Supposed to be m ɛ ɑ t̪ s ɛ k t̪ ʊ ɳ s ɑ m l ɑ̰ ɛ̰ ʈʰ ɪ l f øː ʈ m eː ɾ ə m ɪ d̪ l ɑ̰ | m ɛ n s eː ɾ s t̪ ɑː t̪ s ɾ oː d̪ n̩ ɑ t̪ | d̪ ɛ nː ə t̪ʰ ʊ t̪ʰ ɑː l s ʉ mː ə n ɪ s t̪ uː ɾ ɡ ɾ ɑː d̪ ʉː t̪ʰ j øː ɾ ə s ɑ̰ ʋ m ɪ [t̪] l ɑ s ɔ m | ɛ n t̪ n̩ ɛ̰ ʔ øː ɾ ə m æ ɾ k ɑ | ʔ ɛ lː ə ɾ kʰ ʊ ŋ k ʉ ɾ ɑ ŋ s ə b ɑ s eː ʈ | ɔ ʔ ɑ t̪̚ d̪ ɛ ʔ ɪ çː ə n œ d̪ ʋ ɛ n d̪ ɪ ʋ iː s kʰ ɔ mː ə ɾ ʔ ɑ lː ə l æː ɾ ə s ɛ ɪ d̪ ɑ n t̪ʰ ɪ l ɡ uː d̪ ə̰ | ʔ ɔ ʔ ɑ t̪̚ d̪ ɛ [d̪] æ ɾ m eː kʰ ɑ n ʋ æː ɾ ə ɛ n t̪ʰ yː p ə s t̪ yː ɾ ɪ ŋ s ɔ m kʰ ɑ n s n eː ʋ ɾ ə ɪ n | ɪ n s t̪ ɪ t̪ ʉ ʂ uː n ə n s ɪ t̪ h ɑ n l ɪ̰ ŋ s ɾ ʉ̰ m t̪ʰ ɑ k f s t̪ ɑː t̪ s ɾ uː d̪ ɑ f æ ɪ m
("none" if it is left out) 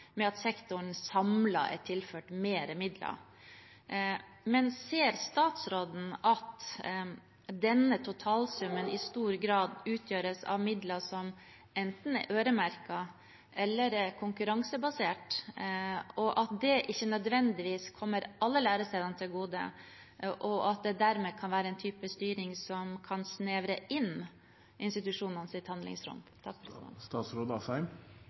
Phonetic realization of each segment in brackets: d̪, d̪

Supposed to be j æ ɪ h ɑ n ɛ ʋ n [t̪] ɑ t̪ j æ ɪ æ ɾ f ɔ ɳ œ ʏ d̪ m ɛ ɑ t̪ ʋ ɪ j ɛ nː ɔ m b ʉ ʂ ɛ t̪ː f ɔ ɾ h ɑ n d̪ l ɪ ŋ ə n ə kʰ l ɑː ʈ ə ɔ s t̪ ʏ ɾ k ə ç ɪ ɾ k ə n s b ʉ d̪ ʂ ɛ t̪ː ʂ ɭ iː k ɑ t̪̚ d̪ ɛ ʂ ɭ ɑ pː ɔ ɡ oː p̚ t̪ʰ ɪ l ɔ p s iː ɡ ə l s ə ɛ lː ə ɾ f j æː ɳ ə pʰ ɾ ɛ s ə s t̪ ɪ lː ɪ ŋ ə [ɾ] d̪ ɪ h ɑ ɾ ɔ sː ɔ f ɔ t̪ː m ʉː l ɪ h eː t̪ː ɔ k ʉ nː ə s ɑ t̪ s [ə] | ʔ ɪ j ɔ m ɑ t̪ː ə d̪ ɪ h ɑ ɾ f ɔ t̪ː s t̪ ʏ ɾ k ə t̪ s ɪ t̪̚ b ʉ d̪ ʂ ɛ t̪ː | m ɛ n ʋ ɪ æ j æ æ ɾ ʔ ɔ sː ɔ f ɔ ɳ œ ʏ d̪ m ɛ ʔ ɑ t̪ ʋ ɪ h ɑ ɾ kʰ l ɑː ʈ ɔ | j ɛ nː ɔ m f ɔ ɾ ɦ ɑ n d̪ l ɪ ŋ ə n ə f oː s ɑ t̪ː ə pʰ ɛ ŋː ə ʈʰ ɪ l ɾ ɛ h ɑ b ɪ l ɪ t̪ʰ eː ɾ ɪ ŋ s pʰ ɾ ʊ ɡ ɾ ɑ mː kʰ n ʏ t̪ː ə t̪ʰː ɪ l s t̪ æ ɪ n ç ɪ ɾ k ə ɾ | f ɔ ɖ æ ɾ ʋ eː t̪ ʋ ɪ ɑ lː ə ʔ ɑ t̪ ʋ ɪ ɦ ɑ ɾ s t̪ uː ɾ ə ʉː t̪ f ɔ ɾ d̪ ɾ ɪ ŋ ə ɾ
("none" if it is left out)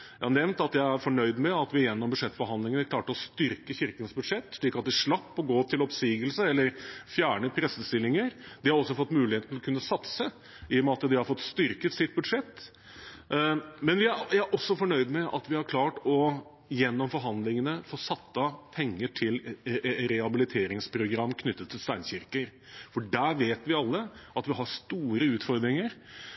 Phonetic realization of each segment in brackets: t̪, ɾ, ə

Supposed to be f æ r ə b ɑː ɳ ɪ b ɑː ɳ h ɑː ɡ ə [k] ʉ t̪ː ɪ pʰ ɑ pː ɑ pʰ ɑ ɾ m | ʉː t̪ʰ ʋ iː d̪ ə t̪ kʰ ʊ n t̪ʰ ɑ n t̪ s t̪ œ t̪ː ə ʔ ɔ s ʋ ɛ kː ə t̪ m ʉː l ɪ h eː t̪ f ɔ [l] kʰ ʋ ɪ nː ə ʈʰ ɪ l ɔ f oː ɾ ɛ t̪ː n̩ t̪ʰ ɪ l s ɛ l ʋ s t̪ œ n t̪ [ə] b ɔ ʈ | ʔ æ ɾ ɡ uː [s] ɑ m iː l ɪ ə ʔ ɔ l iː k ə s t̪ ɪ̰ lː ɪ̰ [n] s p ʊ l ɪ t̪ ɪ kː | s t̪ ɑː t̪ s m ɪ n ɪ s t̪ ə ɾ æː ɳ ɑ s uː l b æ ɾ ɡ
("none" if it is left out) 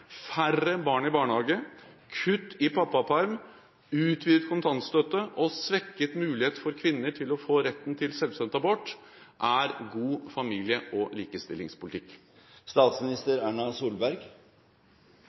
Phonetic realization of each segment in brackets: kʰ, ɾ, ɑ, f, ŋ

